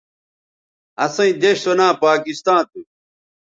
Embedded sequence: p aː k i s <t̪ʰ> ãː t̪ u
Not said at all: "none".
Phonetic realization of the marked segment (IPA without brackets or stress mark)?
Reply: t̪